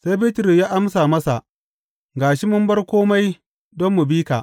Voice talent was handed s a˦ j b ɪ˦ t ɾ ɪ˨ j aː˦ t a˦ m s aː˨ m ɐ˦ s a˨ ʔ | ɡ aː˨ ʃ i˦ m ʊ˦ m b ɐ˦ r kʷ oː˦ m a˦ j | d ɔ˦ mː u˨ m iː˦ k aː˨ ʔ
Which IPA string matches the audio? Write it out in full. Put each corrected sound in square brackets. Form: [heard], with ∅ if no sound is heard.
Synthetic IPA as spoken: s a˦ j b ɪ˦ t ɾ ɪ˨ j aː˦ [ʔ] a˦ m s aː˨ m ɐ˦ s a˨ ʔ | ɡ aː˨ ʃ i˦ m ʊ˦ m b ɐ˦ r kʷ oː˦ m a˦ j | d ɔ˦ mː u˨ [b] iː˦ k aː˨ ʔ

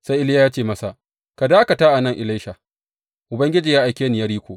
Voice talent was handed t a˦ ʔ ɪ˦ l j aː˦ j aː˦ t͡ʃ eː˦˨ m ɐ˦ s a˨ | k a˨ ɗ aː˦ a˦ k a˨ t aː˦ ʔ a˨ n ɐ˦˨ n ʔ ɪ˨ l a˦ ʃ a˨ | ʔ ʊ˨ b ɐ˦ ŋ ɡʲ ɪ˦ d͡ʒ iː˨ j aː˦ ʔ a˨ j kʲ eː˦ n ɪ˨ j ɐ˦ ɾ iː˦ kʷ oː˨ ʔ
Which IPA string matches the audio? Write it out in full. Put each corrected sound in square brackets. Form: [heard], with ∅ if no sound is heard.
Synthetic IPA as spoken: [s] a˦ ʔ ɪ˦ l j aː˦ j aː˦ t͡ʃ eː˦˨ m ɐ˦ s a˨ | k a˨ [d] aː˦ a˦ k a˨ t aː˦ ʔ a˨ n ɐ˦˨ [ŋ] ʔ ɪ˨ l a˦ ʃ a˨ | ʔ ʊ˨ b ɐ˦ ŋ ɡʲ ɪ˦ d͡ʒ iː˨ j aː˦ ʔ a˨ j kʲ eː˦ n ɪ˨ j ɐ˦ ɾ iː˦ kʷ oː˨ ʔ

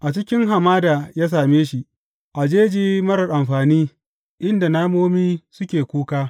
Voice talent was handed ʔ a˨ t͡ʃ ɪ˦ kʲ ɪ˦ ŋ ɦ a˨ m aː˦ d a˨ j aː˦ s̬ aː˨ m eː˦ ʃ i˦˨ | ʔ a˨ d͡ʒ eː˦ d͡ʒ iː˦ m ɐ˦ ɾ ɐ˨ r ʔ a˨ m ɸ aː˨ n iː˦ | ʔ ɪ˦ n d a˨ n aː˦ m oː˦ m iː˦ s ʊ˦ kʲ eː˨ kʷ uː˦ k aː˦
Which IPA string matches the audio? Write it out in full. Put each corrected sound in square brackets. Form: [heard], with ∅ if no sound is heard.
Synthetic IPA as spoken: ʔ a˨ t͡ʃ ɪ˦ kʲ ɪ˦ ŋ ɦ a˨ m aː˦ d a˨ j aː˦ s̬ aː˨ m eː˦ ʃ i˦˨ | ʔ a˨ d͡ʒ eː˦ d͡ʒ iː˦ m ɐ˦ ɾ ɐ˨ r ʔ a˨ m ɸ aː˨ n iː˦ | ʔ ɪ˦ n d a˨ n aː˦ m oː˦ m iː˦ s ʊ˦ kʲ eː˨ kʷ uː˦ k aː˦

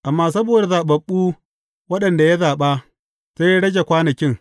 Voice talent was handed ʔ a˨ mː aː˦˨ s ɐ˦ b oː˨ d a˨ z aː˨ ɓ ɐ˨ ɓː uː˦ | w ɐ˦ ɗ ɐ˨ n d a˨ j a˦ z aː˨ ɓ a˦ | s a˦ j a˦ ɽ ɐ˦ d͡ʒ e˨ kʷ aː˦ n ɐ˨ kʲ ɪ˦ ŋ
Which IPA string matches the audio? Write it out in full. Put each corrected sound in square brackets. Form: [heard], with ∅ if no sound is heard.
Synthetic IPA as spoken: ʔ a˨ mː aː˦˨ s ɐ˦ b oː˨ d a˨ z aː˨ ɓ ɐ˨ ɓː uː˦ | w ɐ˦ ɗ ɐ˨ n d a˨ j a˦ z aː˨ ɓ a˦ | s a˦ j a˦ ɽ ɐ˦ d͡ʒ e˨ kʷ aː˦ n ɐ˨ kʲ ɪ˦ ŋ

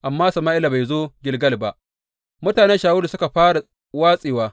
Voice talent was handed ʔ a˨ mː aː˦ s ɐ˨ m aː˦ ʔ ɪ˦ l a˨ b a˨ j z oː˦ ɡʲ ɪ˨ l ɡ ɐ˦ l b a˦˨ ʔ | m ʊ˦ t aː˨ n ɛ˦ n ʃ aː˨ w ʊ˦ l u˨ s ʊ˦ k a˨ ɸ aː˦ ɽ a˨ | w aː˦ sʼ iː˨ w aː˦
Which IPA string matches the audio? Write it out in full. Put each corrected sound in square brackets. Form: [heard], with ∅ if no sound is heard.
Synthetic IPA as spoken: ʔ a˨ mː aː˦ s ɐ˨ m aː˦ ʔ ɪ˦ l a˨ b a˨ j z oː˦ ɡʲ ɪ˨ l ɡ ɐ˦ l b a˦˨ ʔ | m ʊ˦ t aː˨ n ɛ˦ n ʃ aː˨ w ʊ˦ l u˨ s ʊ˦ k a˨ ɸ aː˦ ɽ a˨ | w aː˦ sʼ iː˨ w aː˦

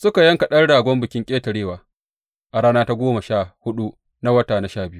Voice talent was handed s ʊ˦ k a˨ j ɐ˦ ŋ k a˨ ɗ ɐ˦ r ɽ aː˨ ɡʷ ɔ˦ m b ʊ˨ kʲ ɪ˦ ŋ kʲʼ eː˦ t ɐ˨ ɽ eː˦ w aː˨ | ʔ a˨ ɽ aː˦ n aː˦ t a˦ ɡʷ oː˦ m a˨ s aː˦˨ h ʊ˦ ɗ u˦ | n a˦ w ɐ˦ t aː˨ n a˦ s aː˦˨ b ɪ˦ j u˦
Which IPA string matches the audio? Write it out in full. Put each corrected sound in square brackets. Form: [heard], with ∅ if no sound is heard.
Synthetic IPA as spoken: s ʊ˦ k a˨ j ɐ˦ ŋ k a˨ ɗ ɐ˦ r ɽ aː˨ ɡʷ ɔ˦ m b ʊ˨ kʲ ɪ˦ ŋ kʲʼ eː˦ t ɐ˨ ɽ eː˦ w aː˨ | ʔ a˨ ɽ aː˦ n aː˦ t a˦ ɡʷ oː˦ m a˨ [ʃ] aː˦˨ h ʊ˦ ɗ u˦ | n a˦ w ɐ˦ t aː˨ n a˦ [ʃ] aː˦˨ b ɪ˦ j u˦

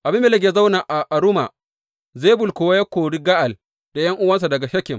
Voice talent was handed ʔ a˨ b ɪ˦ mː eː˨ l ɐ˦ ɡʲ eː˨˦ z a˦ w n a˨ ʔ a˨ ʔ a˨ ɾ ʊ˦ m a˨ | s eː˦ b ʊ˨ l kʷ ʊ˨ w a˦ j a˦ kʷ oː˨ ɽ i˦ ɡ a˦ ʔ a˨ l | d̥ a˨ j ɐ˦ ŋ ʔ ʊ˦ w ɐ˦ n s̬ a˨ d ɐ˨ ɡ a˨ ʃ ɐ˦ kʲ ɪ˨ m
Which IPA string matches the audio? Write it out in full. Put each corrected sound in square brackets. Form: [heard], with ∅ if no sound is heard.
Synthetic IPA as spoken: ʔ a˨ b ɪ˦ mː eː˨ l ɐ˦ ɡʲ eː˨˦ z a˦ w n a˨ ʔ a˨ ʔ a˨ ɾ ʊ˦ m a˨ | [z] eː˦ b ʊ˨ l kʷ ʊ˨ w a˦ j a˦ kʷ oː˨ ɽ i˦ ɡ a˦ ʔ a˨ l | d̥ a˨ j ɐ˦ ŋ ʔ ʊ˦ w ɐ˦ n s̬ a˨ d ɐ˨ ɡ a˨ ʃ ɐ˦ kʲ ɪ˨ m

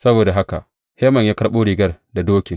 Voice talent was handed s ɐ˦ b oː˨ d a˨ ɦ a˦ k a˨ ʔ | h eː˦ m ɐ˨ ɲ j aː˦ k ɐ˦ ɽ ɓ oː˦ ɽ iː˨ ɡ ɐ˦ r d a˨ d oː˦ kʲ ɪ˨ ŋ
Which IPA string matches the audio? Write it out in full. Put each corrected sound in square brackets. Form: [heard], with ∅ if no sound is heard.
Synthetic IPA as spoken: s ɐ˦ b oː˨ d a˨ ɦ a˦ k a˨ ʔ | h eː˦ m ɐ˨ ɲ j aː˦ k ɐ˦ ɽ ɓ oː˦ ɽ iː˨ ɡ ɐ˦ r d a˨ d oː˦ kʲ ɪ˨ ŋ

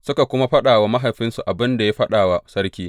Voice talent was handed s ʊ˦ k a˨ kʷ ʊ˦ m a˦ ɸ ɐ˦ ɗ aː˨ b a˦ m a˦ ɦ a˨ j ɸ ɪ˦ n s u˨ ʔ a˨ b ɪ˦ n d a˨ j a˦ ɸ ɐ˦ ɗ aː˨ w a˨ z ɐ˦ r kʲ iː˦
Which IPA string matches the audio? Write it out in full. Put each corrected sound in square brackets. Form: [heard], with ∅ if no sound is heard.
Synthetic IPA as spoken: s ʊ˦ k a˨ kʷ ʊ˦ m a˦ ɸ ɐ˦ ɗ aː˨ [w] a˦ m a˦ ɦ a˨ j ɸ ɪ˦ n s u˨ ʔ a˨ b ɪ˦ n d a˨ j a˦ ɸ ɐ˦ ɗ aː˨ w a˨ [s] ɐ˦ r kʲ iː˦

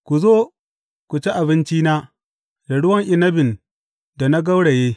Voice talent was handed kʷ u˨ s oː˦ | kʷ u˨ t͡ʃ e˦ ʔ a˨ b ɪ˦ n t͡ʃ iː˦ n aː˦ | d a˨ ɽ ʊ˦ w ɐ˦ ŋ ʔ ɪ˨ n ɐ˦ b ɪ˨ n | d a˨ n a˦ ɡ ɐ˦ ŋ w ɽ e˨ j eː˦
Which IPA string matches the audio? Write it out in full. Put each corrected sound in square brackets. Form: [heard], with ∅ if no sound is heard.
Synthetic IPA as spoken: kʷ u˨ [z] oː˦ | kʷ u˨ t͡ʃ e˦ ʔ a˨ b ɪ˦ n t͡ʃ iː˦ n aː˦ | d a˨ ɽ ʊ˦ w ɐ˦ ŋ ʔ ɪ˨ n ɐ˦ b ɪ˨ n | d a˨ n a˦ ɡ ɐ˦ [∅] w ɽ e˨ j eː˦

